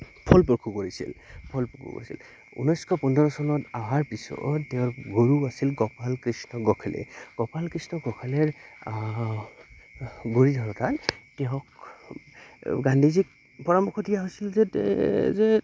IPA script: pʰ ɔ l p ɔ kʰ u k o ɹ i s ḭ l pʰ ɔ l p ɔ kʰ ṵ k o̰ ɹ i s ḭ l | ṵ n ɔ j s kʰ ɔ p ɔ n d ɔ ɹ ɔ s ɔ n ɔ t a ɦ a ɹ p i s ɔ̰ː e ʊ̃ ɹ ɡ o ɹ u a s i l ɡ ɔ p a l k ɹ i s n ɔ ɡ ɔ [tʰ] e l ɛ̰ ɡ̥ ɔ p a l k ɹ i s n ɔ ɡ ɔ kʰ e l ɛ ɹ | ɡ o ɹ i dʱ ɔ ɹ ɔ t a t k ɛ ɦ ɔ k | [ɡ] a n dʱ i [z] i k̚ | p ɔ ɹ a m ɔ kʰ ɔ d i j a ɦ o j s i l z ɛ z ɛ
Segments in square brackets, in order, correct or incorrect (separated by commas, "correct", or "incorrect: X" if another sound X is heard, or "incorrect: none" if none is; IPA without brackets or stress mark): incorrect: kʰ, correct, correct